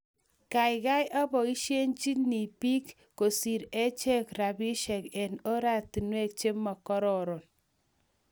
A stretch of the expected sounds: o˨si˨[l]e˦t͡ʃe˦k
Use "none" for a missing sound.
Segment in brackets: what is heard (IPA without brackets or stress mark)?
ɾ